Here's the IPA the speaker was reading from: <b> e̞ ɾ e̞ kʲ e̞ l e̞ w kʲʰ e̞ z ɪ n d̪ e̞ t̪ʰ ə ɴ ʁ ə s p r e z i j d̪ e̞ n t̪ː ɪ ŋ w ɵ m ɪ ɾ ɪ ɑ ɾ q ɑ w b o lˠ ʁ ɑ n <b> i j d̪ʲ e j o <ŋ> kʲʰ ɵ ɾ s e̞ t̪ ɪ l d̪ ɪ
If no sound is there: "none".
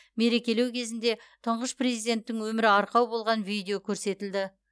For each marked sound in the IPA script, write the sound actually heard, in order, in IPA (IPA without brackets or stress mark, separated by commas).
m, v, none